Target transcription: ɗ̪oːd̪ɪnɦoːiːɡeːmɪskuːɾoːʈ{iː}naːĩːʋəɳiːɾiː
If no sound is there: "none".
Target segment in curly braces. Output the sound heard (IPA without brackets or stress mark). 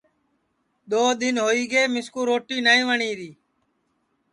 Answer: iː